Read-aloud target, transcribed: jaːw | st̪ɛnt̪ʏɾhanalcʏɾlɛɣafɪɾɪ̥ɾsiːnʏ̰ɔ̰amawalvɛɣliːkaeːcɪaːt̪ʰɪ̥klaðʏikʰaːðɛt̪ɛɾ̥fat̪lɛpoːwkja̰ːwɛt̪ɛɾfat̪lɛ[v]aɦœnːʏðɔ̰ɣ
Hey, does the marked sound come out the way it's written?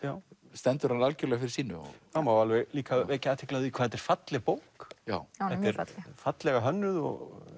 no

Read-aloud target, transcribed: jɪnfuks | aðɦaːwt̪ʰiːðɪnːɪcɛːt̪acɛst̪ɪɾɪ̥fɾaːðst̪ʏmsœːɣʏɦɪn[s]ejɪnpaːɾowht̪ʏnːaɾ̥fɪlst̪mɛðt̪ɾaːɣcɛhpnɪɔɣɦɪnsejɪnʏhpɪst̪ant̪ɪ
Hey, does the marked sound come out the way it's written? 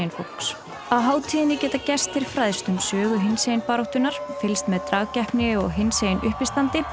yes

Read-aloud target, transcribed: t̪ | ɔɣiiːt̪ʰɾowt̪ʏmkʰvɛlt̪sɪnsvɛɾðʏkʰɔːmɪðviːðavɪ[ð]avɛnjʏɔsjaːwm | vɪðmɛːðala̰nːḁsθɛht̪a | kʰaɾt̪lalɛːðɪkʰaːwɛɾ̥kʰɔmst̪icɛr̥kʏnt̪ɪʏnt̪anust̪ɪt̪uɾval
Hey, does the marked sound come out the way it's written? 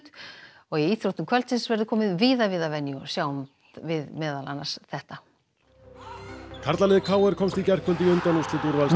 yes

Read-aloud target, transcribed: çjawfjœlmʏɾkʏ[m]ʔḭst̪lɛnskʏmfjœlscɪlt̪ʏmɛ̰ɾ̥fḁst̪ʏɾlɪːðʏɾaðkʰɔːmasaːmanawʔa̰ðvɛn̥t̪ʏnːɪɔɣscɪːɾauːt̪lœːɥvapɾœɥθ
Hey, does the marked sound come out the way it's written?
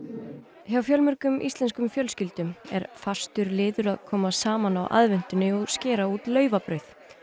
yes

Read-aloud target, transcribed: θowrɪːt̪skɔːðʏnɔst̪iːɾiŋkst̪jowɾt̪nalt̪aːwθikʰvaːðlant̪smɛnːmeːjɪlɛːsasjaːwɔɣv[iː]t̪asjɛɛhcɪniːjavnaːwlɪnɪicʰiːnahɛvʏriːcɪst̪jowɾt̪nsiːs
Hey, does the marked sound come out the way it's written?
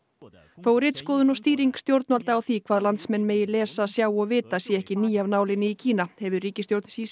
no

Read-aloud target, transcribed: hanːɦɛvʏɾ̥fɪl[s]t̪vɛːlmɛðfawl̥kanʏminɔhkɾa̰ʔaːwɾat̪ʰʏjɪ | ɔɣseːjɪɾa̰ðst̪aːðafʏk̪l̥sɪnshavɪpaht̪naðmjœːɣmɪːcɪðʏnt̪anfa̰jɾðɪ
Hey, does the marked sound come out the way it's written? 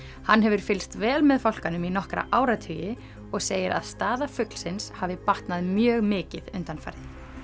yes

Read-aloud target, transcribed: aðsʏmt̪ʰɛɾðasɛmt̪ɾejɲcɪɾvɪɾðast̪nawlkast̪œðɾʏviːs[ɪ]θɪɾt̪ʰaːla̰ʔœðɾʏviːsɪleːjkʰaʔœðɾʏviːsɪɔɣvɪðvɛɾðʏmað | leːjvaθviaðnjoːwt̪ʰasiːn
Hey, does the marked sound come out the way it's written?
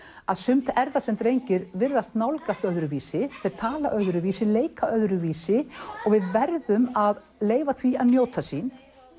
yes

